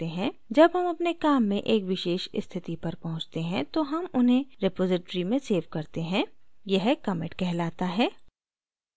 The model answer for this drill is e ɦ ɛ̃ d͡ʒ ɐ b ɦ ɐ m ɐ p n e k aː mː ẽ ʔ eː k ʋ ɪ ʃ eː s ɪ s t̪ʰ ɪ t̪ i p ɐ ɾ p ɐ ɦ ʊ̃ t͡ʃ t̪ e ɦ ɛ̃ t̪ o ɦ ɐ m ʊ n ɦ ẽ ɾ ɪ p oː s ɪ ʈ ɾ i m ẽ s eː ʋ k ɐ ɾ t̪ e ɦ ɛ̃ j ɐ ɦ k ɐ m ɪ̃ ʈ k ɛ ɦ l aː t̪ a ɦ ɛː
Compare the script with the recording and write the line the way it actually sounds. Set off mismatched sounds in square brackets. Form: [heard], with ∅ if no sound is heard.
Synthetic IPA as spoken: e ɦ ɛ̃ d͡ʒ ɐ b ɦ ɐ m ɐ p n e k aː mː ẽ ʔ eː k ʋ ɪ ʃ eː [ʃ] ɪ s t̪ʰ ɪ t̪ i p ɐ ɾ p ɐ ɦ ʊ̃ t͡ʃ t̪ e ɦ ɛ̃ t̪ o ɦ ɐ m ʊ n ɦ ẽ ɾ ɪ p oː [z] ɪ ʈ ɾ i m ẽ s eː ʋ k ɐ ɾ t̪ e ɦ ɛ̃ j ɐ ɦ k ɐ m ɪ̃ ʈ k ɛ ɦ l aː t̪ a ɦ ɛː